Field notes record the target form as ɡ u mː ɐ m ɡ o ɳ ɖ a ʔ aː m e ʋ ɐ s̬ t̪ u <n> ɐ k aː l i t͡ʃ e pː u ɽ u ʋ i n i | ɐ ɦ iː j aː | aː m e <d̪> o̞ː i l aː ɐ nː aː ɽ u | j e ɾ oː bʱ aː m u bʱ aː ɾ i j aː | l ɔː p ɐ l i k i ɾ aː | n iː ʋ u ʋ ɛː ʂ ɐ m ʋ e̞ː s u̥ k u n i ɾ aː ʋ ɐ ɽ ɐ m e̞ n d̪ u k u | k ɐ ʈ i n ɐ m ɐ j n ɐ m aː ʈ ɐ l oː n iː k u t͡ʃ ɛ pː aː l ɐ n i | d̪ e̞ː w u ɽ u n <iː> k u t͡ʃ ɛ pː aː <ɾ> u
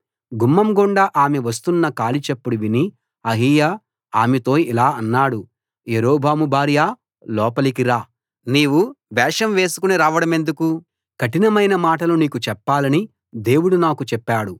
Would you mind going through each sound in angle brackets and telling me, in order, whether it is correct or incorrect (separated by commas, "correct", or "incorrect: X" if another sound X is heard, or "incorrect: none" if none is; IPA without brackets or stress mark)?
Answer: incorrect: nː, incorrect: t̪, incorrect: aː, incorrect: ɽ